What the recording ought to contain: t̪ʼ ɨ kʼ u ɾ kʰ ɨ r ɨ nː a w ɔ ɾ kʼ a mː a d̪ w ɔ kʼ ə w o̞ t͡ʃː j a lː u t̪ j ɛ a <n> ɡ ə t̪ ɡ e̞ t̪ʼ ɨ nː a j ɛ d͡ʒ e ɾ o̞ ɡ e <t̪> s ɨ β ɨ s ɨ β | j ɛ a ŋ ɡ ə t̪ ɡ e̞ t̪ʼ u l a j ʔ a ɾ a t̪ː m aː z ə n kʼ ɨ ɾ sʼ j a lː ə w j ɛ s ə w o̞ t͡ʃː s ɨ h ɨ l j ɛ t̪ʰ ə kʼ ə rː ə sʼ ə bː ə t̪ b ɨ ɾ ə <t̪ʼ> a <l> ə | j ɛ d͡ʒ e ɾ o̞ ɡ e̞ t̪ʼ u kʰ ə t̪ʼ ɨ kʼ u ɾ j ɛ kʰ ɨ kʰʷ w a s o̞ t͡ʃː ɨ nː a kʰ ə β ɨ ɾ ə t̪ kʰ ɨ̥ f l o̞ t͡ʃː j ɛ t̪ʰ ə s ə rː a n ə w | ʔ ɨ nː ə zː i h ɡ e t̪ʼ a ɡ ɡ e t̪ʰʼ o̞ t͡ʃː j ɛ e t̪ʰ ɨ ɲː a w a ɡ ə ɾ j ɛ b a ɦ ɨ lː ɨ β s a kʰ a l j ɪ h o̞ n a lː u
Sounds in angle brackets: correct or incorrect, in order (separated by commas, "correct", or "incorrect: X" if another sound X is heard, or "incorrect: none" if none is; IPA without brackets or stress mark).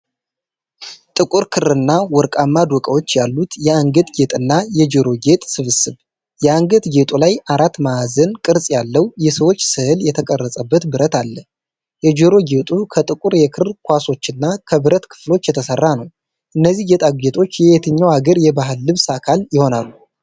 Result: incorrect: ŋ, incorrect: t̪ʼ, incorrect: t̪, incorrect: lː